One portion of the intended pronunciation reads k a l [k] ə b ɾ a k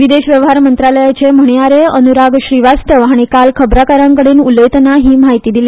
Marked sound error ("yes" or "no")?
yes